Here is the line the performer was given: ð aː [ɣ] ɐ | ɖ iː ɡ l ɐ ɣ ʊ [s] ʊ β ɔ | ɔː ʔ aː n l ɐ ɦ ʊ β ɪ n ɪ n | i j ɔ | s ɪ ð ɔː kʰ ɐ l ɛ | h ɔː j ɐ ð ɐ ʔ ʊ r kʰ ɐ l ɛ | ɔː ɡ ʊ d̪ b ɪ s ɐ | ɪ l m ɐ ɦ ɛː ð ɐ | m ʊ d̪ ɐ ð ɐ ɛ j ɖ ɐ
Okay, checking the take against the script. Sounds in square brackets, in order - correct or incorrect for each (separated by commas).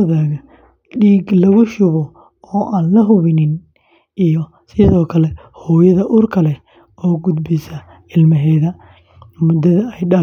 correct, incorrect